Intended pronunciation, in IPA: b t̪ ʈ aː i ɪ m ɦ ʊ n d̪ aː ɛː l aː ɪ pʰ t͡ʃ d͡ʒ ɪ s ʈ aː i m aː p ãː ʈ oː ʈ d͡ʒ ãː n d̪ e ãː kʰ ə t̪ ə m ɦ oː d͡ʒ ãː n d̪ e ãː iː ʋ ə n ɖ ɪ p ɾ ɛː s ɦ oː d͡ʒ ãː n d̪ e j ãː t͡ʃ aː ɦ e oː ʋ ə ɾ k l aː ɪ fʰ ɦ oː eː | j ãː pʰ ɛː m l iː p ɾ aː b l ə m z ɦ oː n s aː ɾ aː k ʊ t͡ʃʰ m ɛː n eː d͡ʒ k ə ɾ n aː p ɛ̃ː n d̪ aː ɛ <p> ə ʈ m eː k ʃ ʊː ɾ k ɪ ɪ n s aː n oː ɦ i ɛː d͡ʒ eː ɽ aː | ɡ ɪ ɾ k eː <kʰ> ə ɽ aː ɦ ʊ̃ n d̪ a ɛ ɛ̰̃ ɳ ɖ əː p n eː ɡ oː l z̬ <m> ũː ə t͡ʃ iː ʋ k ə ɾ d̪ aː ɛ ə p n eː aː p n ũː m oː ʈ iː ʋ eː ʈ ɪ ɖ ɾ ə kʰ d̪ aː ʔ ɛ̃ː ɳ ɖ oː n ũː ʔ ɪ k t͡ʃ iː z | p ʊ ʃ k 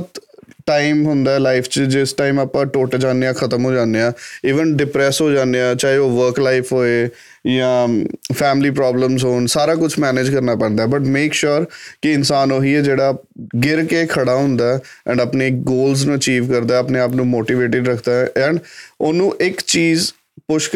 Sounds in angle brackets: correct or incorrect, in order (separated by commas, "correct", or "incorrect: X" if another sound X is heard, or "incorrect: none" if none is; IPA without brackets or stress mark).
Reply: incorrect: b, correct, incorrect: n